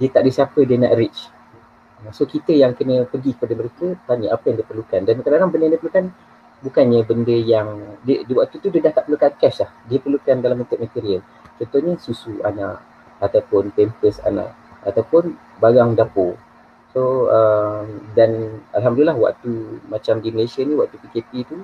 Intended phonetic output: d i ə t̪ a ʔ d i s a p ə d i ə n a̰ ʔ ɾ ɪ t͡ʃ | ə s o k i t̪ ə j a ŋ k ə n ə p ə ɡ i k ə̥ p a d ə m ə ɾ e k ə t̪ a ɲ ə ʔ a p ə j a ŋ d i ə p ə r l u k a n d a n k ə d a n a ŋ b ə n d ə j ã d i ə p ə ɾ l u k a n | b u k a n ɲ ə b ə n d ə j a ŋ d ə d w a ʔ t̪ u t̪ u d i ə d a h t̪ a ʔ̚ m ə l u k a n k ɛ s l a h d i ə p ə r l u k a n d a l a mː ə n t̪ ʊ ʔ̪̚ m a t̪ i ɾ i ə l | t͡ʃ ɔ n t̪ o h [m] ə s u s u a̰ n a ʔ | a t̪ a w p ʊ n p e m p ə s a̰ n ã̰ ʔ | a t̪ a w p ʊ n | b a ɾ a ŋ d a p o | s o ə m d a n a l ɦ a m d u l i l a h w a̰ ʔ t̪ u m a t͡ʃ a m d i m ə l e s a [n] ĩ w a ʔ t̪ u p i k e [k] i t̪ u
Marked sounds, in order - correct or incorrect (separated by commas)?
incorrect, correct, incorrect